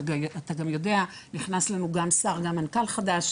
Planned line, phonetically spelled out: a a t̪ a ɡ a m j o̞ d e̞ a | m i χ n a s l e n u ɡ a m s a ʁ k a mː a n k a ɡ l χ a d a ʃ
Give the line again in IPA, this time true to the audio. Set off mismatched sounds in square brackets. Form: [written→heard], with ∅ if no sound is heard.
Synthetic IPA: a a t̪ a ɡ a m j o̞ d e̞ a | [m→n] i χ n a s l [e→a] n u ɡ a m s a ʁ [k→ɡ] a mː a n k a [ɡ→∅] l χ a d a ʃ